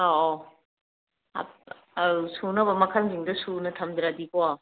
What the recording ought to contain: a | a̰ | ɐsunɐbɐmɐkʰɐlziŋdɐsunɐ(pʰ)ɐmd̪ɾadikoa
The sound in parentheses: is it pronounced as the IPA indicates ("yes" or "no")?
no